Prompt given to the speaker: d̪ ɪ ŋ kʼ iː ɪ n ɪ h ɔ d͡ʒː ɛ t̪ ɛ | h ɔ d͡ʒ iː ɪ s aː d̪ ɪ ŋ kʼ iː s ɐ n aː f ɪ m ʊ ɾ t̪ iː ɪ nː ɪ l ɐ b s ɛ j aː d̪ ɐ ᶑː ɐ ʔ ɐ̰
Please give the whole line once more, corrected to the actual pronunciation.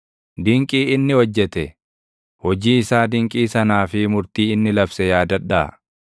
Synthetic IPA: d̪ ɪ ŋ kʼ iː ɪ nː ɪ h ɔ d͡ʒː ɛ t̪ ɛ | h ɔ d͡ʒ iː ɪ s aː d̪ ɪ ŋ kʼ iː s ɐ n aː f ɪ m ʊ ɾ t̪ iː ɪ nː ɪ l ɐ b s ɛ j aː d̪ ɐ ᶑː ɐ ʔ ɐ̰